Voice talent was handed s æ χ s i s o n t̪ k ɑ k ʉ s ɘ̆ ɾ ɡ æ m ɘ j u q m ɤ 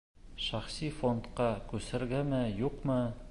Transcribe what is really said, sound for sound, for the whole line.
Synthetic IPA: ʃ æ χ s i f o n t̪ q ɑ k ʉ s ɘ̆ ɾ ɡ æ m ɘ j u q m ɤ